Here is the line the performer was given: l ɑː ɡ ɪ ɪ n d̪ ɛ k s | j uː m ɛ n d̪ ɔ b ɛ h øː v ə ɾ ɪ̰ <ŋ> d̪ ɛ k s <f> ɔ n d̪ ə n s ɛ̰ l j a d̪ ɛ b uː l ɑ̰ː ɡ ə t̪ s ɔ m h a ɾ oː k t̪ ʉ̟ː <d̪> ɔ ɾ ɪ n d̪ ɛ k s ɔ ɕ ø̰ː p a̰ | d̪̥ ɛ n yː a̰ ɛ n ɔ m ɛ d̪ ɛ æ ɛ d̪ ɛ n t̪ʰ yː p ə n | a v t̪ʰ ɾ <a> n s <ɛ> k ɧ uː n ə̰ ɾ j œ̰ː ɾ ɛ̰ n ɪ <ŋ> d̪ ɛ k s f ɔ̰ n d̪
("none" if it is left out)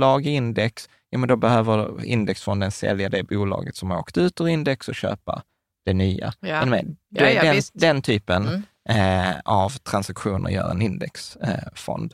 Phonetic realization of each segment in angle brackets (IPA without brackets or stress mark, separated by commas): n, f, t̪, a, a, n